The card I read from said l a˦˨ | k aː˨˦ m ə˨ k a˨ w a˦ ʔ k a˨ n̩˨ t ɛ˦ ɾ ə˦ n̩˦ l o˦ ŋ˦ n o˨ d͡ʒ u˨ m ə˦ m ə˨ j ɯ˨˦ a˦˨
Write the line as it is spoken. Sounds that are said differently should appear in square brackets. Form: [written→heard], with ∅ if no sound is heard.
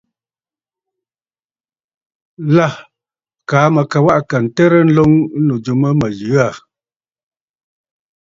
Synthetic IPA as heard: l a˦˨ | k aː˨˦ m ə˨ k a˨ w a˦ ʔ k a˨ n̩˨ t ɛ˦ ɾ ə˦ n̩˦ l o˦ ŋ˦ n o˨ d͡ʒ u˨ m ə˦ m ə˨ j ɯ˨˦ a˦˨